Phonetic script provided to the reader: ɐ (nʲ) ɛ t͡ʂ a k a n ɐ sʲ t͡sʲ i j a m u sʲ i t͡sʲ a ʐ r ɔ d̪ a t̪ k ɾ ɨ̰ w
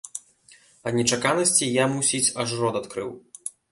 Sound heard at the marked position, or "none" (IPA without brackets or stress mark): nʲ